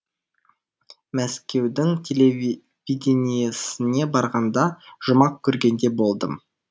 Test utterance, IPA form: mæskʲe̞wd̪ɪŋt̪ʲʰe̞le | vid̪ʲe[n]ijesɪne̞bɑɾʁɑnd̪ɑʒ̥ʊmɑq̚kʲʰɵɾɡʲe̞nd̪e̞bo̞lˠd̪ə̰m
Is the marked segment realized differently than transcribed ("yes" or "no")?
no